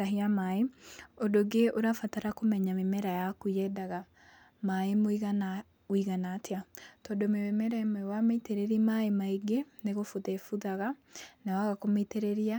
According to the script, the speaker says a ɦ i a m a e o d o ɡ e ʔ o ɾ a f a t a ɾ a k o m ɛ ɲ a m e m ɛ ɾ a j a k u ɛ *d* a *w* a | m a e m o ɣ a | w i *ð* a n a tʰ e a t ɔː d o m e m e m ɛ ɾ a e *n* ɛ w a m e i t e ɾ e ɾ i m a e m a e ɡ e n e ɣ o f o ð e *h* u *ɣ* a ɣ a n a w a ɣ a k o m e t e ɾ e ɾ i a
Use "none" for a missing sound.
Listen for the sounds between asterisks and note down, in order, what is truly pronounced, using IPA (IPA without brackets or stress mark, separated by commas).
d, ɣ, ɣ, m, f, ð